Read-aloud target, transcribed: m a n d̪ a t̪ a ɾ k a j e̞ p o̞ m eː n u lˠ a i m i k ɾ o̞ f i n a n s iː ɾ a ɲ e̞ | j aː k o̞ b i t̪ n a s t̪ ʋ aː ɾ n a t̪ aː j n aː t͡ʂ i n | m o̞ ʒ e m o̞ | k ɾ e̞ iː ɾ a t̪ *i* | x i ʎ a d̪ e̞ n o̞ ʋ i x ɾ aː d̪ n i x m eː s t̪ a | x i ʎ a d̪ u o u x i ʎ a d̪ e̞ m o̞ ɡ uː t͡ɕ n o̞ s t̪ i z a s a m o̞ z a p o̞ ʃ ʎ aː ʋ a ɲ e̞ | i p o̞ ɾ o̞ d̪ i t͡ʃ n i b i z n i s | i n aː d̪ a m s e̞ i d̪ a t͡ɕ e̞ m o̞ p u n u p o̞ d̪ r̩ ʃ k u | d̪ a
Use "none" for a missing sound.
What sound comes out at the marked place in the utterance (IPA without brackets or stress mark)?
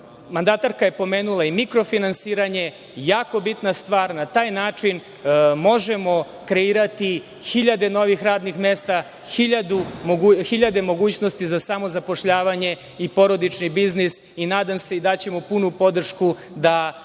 i